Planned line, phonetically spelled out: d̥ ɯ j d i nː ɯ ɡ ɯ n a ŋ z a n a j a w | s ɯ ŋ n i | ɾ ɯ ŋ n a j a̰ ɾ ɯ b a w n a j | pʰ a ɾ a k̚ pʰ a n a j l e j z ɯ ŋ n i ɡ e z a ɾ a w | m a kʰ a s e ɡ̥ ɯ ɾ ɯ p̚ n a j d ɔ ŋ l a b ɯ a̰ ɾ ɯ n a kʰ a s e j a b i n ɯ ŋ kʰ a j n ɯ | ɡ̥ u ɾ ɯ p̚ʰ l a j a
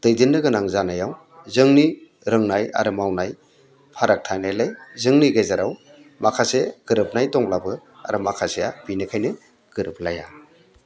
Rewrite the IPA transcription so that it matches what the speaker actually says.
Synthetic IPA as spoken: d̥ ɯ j d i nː ɯ ɡ ɯ n a ŋ z a n a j a w | z ɯ ŋ n i | ɾ ɯ ŋ n a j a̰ ɾ ɯ m a w n a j | pʰ a ɾ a k̚ tʰ a n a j l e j z ɯ ŋ n i ɡ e z a ɾ a w | m a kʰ a s e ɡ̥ ɯ ɾ ɯ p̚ n a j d ɔ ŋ l a b ɯ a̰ ɾ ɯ m a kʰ a s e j a b i n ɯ kʰ a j n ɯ | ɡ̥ ɯ ɾ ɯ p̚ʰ l a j a